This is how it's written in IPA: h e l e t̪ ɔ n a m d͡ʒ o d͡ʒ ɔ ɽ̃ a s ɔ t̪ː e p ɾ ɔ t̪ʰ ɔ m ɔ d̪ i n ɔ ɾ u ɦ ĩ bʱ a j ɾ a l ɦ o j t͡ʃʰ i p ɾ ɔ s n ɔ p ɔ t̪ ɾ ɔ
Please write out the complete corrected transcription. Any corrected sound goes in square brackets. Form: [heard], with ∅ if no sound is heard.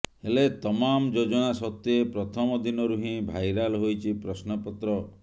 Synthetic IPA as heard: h e l e t̪ ɔ [m] a m d͡ʒ o d͡ʒ ɔ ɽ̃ a s ɔ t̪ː e p ɾ ɔ t̪ʰ ɔ m ɔ d̪ i n ɔ ɾ u ɦ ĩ bʱ a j ɾ a l ɦ o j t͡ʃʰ i p ɾ ɔ s n ɔ p ɔ t̪ ɾ ɔ